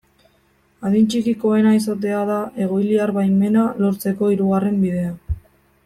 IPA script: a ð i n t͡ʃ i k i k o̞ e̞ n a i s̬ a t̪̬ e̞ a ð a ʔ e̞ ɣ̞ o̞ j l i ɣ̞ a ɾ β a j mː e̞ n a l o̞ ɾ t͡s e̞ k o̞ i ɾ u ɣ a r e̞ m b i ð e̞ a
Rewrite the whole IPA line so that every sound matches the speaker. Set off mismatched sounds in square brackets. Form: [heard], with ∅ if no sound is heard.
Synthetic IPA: a ð i n t͡ʃ i k i k o̞ e̞ n a i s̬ a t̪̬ e̞ a ð a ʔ e̞ ɣ̞ o̞ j l i [∅] a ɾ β a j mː e̞ n a l o̞ ɾ t͡s e̞ k o̞ i ɾ u ɣ a r e̞ m b i ð e̞ a